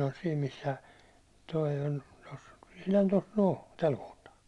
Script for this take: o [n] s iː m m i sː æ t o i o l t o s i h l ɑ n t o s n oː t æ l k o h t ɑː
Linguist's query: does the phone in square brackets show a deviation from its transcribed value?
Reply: no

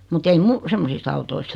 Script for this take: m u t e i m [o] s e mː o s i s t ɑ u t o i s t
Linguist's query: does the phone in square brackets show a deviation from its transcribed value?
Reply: yes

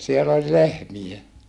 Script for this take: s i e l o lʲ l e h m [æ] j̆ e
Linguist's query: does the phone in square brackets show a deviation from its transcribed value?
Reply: yes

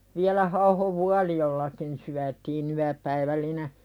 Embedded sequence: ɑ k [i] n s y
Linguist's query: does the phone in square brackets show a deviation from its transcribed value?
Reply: no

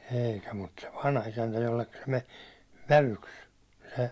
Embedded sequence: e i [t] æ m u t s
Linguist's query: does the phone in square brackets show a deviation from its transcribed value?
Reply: yes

